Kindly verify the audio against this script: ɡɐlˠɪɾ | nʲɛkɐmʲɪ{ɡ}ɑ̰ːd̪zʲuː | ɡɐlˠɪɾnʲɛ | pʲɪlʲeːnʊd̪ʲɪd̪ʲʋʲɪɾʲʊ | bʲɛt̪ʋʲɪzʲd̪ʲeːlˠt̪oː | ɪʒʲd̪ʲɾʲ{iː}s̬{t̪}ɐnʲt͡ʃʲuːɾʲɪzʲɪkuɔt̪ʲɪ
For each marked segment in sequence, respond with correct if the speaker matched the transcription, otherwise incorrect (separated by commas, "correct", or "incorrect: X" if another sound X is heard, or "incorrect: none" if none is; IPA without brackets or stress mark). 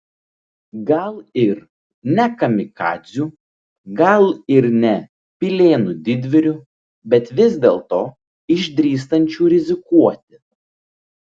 incorrect: k, correct, correct